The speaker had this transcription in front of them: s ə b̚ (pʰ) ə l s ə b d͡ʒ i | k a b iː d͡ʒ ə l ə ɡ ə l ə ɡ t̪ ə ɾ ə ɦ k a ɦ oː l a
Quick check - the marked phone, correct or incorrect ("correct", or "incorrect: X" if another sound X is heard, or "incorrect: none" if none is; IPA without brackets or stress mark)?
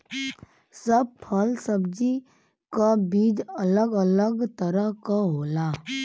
correct